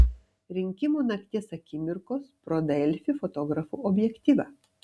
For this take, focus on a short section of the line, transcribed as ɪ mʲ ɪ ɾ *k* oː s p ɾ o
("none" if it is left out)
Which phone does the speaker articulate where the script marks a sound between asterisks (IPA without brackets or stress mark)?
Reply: k